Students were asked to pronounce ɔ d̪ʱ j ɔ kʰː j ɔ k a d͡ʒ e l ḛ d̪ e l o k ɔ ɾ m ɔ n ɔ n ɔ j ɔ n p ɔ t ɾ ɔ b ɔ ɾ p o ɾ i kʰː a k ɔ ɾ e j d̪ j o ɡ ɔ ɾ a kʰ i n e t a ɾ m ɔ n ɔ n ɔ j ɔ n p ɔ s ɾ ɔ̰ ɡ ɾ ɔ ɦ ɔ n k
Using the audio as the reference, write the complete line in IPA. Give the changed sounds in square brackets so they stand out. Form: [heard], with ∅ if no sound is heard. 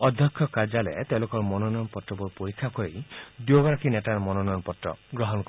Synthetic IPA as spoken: ɔ d̪ʱ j ɔ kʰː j ɔ k a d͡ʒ [a] l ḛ [t̪] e l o k ɔ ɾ m ɔ n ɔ n ɔ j ɔ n p ɔ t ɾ ɔ b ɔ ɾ p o ɾ i kʰː a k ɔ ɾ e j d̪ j o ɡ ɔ ɾ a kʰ i n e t a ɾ m ɔ n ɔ n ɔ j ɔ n p ɔ [t] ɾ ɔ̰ ɡ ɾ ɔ ɦ ɔ n k